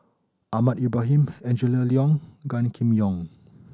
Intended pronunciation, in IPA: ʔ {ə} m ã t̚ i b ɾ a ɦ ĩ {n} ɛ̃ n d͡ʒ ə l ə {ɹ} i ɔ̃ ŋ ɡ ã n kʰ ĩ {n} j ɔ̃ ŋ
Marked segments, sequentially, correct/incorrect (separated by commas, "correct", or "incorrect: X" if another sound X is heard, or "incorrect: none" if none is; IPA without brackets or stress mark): incorrect: a, incorrect: m, incorrect: l, incorrect: m